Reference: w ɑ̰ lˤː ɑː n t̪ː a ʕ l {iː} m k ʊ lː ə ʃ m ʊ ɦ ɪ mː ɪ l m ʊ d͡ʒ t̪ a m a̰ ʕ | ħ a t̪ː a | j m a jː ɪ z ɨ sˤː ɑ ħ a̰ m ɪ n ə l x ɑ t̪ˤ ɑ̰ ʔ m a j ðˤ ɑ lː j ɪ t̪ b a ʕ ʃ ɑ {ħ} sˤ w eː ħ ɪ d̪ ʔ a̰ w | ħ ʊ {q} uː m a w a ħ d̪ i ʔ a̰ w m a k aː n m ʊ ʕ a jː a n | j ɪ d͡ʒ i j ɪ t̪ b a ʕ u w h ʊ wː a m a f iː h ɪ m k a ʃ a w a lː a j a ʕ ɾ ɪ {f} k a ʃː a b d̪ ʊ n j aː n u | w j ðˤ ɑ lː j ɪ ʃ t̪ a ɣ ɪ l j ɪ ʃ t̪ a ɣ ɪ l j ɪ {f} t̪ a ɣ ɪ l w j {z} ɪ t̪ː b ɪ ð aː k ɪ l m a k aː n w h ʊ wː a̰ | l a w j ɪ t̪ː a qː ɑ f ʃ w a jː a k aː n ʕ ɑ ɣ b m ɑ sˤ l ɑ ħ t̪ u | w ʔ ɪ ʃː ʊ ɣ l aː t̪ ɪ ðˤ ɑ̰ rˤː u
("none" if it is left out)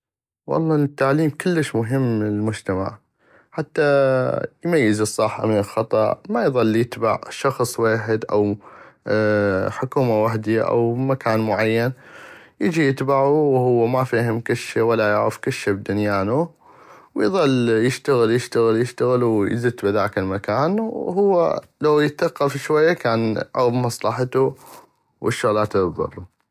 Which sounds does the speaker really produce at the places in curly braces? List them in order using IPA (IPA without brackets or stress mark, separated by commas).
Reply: iː, x, k, f, ʃ, z